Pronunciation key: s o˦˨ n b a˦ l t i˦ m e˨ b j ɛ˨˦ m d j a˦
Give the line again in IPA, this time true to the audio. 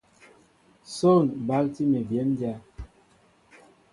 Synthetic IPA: s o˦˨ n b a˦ l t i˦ m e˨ b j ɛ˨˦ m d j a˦